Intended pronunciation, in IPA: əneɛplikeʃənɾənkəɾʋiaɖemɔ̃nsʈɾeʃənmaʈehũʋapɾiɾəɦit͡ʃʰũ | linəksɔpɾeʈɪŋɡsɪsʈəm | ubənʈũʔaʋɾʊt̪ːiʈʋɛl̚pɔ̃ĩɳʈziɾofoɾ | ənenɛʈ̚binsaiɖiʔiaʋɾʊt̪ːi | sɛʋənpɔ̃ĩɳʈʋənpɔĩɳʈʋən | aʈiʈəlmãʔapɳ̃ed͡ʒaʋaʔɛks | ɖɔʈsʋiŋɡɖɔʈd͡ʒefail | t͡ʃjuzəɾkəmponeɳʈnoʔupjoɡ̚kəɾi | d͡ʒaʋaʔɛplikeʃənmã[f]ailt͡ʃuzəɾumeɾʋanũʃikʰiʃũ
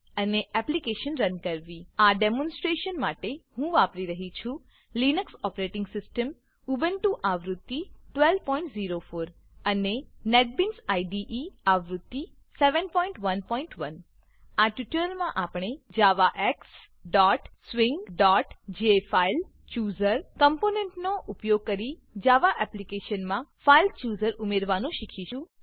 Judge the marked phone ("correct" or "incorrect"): correct